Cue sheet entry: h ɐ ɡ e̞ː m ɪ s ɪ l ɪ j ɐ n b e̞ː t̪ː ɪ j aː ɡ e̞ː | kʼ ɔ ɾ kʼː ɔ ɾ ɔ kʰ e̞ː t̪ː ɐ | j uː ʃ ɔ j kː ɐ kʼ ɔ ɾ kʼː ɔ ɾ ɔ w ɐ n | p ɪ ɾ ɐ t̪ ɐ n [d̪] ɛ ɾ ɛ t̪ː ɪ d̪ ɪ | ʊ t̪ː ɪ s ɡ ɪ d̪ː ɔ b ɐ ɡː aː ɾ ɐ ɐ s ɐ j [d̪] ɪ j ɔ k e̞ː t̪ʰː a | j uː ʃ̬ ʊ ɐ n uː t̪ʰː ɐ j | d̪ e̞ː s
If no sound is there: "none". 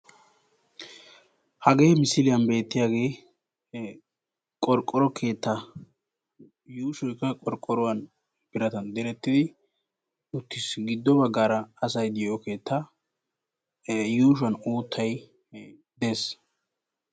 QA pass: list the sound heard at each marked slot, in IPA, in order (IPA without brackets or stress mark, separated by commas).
d̪, d̪